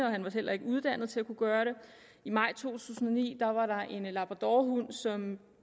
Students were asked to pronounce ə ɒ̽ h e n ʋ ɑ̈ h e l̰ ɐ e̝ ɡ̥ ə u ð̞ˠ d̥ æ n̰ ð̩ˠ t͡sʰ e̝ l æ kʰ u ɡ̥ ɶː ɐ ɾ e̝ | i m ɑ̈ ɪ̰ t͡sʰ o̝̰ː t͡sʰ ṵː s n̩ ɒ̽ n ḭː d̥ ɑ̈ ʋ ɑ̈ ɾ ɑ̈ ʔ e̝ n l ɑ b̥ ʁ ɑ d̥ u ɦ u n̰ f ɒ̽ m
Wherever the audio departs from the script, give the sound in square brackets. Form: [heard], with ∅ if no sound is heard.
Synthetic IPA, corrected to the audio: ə ɒ̽ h [æ] n ʋ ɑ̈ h e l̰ ɐ e̝ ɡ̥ ə u ð̞ˠ d̥ æ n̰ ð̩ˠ t͡sʰ e̝ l æ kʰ u ɡ̥ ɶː ɐ ɾ e̝ | i m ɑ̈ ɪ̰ t͡sʰ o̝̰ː t͡sʰ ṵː s n̩ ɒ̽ n ḭː d̥ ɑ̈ ʋ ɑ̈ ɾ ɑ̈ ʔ e̝ n l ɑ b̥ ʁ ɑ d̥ [ɒ] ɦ u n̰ [s] ɒ̽ m